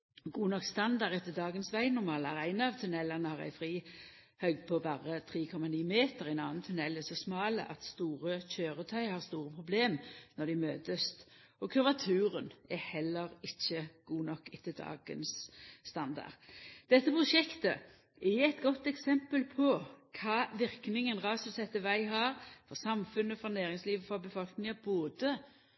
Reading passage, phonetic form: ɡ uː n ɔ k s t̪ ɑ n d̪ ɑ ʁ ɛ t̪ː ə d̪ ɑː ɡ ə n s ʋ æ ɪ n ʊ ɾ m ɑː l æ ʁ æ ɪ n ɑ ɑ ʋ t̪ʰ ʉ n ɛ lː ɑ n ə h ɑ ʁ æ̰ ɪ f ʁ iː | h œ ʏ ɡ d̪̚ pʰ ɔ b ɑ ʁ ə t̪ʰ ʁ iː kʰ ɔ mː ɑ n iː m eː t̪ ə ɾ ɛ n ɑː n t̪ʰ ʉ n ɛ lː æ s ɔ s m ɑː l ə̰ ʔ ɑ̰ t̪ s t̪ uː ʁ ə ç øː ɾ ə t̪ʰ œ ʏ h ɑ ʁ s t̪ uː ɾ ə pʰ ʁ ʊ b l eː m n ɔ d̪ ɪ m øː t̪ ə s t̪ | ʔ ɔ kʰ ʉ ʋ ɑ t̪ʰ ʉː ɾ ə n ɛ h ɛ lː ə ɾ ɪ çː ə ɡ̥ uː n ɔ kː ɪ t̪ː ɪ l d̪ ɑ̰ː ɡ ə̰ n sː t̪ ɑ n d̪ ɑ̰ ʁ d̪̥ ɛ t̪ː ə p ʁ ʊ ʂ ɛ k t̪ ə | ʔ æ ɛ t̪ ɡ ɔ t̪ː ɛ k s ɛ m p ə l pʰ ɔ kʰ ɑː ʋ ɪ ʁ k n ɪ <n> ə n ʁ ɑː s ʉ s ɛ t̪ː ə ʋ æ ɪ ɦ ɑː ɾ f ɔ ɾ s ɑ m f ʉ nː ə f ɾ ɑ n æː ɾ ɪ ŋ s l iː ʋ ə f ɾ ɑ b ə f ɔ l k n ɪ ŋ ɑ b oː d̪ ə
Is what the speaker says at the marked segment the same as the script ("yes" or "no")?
no